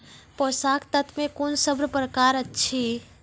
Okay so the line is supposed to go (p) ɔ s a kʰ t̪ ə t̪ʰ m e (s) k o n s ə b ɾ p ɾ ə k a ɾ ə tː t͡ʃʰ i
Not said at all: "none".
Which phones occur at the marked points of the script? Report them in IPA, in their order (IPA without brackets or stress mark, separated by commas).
p, none